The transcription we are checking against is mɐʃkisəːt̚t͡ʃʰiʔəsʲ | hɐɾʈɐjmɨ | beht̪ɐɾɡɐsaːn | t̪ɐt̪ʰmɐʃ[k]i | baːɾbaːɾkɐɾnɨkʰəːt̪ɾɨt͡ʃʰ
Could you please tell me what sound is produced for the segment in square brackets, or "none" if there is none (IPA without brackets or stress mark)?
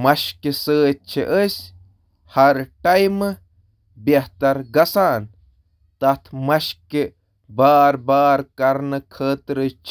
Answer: k